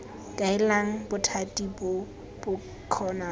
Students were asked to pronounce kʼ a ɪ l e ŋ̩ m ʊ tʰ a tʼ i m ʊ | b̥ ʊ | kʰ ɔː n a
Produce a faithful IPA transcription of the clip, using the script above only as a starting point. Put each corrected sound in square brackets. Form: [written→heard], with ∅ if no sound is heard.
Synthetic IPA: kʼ a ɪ l [e→a] ŋ̩ [m→b] ʊ tʰ a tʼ i [m→b] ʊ | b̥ ʊ | kʰ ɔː n a